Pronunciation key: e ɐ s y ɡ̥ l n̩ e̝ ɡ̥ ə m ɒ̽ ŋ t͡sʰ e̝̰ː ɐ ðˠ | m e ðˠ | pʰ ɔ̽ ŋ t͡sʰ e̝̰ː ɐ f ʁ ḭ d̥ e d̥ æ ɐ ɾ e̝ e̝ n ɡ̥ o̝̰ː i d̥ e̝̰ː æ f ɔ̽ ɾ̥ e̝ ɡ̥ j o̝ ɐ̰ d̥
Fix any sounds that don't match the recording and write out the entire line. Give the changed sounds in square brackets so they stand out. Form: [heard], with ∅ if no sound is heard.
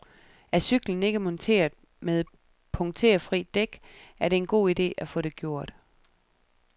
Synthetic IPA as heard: [æ] ɐ s y ɡ̥ l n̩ e̝ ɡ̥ ə m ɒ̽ [n] t͡sʰ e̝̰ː ɐ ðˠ | m e ðˠ | pʰ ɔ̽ ŋ t͡sʰ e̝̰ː ɐ f ʁ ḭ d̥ e [ɡ̥] æ ɐ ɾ e̝ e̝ n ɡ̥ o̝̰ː i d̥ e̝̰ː æ f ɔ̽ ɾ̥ e̝ ɡ̥ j o̝ ɐ̰ d̥